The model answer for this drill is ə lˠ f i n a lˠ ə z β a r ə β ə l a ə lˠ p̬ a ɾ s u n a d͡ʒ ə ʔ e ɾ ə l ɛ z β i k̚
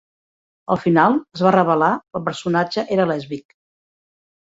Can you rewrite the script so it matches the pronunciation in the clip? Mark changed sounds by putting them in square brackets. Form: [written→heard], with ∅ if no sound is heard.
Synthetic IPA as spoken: ə lˠ f i n a lˠ ə z β a r ə β ə l a ə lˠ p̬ [a→ə] ɾ s u n a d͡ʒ ə ʔ e ɾ ə l ɛ z β i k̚